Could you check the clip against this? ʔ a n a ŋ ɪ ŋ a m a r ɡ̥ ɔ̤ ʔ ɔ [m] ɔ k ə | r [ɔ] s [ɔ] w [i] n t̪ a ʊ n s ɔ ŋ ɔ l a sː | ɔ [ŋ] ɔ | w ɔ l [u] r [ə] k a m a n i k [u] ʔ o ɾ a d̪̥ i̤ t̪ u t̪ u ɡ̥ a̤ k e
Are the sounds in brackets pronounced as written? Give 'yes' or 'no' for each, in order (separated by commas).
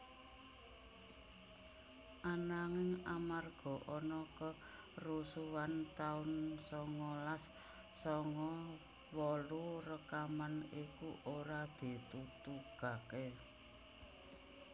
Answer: no, no, no, no, yes, yes, yes, yes